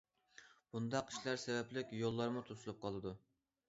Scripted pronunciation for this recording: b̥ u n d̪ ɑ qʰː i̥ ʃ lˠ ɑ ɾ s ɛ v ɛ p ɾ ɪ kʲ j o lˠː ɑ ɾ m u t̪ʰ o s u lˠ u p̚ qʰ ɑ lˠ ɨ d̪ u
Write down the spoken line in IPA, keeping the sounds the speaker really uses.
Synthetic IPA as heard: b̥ u n d̪ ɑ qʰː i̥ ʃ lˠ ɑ ɾ s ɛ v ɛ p l ɪ kʲ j o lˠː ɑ ɾ m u t̪ʰ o s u lˠ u p̚ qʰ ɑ lˠ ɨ d̪ u